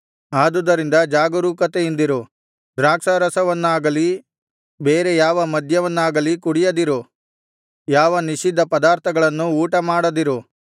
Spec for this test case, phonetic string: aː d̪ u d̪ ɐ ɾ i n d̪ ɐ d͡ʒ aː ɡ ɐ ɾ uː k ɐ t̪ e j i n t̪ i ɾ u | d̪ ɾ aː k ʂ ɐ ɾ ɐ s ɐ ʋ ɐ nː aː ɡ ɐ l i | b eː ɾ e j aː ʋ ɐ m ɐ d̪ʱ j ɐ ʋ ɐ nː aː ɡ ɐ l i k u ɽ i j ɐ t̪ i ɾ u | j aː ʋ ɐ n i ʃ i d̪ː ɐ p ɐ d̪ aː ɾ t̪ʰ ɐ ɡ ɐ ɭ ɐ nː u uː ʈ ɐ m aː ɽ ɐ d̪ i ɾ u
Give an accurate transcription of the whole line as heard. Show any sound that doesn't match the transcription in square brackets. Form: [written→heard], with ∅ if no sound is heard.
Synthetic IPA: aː d̪ u d̪ ɐ ɾ i n d̪ ɐ d͡ʒ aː ɡ ɐ ɾ uː k ɐ t̪ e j i n [t̪→d̪] i ɾ u | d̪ ɾ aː k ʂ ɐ ɾ ɐ s ɐ ʋ ɐ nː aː ɡ ɐ l i | b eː ɾ e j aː ʋ ɐ m ɐ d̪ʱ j ɐ ʋ ɐ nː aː ɡ ɐ l i k u ɽ i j ɐ [t̪→d̪] i ɾ u | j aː ʋ ɐ n i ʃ i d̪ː ɐ p ɐ d̪ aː ɾ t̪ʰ ɐ ɡ ɐ ɭ ɐ nː u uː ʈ ɐ m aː ɽ ɐ d̪ i ɾ u